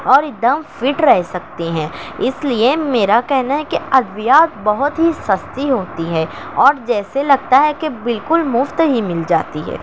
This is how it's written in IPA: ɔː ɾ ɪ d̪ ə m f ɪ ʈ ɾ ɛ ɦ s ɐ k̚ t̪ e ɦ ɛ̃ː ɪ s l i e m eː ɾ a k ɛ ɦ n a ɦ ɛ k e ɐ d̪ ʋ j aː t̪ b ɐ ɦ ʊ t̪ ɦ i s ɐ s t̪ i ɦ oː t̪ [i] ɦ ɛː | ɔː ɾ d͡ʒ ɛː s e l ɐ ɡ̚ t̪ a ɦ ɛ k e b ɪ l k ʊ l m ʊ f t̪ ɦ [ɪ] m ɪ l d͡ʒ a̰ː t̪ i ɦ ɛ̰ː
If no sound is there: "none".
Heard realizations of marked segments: i, i

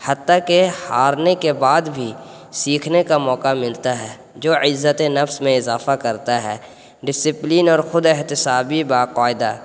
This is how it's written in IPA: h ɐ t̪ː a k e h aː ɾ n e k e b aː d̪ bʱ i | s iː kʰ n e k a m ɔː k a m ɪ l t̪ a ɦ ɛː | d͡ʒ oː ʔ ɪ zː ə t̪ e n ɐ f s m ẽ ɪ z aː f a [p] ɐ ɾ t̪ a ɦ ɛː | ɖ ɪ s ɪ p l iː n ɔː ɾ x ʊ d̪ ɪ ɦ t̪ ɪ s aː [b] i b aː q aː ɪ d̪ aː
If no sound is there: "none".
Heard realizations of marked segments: k, b

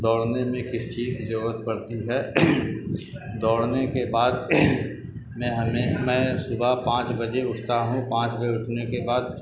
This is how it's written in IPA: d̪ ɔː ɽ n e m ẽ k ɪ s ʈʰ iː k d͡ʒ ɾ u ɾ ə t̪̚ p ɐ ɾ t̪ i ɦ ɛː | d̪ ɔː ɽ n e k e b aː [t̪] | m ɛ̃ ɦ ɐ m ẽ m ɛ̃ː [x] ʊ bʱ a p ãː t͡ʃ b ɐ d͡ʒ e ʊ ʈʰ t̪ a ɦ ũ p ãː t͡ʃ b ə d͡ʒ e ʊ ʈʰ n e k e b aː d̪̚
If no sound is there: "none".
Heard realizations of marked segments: d̪, s

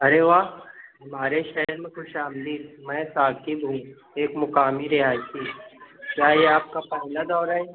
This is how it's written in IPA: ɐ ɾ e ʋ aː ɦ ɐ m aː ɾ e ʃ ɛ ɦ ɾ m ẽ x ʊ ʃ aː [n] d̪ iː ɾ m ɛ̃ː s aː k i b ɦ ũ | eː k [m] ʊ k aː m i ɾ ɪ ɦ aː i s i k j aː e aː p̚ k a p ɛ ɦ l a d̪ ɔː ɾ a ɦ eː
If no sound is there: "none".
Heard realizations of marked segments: m, m

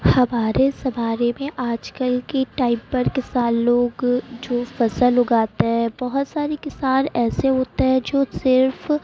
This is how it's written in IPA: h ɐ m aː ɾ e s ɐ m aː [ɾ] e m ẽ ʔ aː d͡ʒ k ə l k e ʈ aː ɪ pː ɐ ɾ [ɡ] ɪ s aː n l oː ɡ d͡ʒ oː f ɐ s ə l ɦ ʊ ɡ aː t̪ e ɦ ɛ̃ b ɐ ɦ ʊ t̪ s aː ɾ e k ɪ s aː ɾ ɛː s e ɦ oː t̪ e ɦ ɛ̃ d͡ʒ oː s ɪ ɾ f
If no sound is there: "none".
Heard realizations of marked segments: ɾ, k

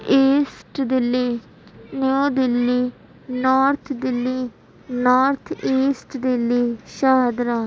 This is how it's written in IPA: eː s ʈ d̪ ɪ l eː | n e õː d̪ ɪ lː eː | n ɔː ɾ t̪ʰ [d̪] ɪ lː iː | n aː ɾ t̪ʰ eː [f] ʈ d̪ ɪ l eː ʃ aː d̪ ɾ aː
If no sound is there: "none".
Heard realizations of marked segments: d̪, s

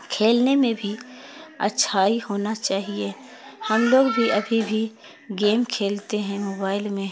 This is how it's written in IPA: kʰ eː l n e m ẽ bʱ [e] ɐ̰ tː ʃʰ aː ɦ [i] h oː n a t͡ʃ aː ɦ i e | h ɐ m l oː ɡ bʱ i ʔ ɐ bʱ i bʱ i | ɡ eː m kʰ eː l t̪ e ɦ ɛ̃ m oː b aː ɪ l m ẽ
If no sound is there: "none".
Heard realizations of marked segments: i, i

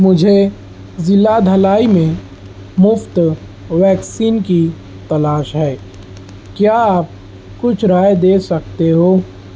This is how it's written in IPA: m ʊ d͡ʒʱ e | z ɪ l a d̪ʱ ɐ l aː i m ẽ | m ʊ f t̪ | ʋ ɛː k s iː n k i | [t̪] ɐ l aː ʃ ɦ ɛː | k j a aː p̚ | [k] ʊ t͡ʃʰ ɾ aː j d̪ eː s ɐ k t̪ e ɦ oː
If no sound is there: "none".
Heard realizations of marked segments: t̪, k

